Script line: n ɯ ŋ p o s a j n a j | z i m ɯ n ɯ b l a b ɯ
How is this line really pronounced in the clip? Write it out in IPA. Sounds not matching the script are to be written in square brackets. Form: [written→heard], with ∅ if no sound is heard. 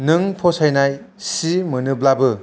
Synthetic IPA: n ɯ ŋ [p→pʰ] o s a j n a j | [z→s] i m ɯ n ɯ b l a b ɯ